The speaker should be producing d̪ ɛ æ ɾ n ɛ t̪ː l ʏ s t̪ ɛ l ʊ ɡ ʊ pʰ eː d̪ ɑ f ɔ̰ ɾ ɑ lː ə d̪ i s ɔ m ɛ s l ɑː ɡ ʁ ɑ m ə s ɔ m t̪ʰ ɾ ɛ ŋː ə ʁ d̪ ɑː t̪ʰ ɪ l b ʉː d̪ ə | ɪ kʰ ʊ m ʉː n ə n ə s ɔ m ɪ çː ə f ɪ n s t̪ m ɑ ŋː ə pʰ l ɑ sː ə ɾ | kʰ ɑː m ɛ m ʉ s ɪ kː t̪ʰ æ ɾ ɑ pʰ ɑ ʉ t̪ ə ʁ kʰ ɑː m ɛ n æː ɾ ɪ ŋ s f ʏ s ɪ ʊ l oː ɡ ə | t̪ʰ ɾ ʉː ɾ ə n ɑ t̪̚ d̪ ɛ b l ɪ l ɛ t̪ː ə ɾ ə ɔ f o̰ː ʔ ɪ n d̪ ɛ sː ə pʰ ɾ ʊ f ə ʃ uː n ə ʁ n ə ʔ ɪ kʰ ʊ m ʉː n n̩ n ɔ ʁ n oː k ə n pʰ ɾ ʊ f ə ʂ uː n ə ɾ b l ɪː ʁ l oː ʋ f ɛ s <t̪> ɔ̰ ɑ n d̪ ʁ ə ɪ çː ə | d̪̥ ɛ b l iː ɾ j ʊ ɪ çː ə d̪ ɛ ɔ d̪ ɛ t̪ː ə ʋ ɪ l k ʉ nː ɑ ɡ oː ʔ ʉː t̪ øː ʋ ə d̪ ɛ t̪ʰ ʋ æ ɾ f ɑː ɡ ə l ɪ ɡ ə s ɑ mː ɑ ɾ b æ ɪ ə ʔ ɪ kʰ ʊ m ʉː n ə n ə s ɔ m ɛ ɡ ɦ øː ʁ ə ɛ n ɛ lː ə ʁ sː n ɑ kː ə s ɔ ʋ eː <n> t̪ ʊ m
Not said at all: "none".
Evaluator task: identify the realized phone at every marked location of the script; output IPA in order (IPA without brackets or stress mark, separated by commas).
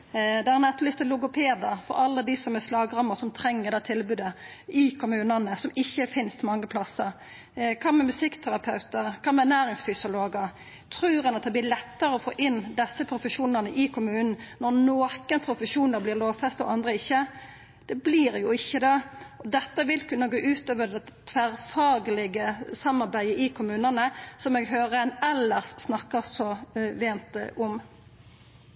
t̪, n